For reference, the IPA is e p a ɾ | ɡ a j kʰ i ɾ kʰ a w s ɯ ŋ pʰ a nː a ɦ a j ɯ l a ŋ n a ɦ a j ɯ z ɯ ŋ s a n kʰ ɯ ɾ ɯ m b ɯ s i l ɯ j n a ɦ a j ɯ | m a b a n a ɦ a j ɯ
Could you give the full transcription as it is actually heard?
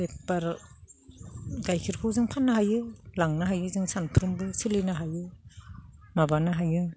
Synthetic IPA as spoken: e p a ɾ | ɡ a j kʰ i ɾ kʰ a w z ɯ ŋ pʰ a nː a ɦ a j ɯ l a ŋ n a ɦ a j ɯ z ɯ ŋ s a n pʰ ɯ ɾ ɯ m b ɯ s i l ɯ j n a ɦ a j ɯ | m a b a n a ɦ a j ɯ

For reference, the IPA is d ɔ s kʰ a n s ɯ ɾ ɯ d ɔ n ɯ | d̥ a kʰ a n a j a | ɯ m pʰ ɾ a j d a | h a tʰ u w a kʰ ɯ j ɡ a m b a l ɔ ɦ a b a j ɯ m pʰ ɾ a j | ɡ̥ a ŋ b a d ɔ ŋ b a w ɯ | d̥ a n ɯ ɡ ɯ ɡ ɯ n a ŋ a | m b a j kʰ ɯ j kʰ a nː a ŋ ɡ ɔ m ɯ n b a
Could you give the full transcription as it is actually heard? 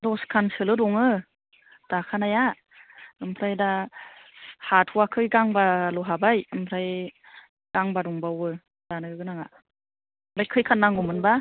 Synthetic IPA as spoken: d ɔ s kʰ a n s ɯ l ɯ d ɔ ŋ ɯ | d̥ a kʰ a n a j a | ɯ m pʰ ɾ a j d a | h a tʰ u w a kʰ ɯ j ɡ a ŋ b a l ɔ ɦ a b a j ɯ m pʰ ɾ a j | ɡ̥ a ŋ b a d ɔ ŋ b a w ɯ | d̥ a n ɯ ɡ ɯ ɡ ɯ n a ŋ a | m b a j kʰ ɯ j kʰ a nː a ŋ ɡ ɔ m ɯ n b a

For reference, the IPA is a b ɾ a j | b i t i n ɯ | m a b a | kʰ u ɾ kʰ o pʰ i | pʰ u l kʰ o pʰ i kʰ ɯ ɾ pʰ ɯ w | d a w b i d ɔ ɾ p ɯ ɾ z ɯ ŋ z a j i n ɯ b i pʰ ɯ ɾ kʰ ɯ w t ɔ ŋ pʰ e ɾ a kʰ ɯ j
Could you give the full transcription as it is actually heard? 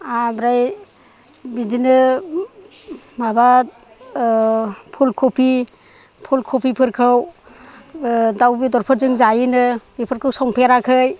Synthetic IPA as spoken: a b ɾ a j | b i d i n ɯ | m a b a | pʰ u l kʰ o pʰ i | pʰ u l kʰ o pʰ i pʰ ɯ ɾ kʰ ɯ w | d a w b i d ɔ ɾ pʰ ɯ ɾ z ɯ ŋ z a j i n ɯ b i pʰ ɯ ɾ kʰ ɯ w s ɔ ŋ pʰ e ɾ a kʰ ɯ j

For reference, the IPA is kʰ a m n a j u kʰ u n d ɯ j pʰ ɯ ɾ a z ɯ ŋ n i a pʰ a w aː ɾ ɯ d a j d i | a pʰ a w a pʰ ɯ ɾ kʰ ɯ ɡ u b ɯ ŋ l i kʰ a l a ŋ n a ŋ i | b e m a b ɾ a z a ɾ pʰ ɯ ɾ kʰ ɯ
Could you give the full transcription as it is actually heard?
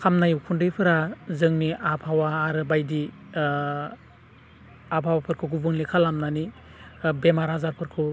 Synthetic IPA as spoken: kʰ a m n a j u kʰ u n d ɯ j pʰ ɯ ɾ a z ɯ ŋ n i a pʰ a w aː ɾ ɯ b a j d i | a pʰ a w a pʰ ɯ ɾ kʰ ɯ ɡ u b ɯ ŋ l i kʰ a l a m n a n i | b e m a ɾ a z a ɾ pʰ ɯ ɾ kʰ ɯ

